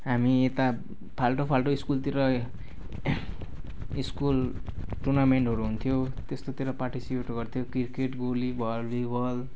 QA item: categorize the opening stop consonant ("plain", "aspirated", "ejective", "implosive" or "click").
plain